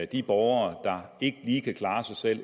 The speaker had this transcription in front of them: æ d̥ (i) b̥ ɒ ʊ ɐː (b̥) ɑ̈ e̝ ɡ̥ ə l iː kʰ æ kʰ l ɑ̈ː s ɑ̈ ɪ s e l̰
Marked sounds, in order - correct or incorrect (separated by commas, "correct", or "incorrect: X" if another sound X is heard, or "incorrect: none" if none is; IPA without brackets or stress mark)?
correct, incorrect: d̥